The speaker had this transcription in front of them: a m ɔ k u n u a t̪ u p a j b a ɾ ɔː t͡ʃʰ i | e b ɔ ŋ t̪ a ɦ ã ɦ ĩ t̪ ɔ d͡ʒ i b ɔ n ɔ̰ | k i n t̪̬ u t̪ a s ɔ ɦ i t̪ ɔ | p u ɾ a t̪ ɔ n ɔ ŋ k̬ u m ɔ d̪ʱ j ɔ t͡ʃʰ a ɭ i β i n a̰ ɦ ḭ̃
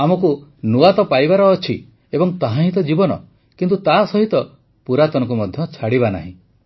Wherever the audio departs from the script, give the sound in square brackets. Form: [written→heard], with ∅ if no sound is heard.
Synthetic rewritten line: a m ɔ k u n u a t̪ [u→ɔ] p a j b a ɾ ɔː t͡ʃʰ i | e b ɔ ŋ t̪ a ɦ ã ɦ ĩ t̪ ɔ d͡ʒ i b ɔ n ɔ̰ | k i n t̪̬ u t̪ a s ɔ ɦ i t̪ ɔ | p u ɾ a t̪ ɔ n ɔ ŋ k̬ u m ɔ d̪ʱ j ɔ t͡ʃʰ a [ɭ→ɽ] i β [i→a] n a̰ ɦ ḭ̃